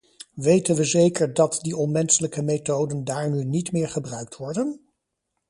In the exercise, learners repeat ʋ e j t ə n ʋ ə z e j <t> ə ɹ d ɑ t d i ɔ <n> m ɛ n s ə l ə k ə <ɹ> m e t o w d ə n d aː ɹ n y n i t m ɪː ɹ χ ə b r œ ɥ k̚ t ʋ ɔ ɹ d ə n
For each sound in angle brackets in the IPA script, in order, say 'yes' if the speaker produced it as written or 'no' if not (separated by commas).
no, yes, no